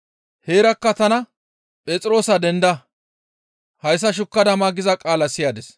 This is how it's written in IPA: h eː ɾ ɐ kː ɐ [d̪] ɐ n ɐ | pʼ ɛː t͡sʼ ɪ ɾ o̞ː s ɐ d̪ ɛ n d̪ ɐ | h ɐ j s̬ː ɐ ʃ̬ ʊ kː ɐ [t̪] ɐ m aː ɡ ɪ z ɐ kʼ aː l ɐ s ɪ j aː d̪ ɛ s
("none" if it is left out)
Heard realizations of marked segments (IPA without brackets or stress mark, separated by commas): t̪, d̪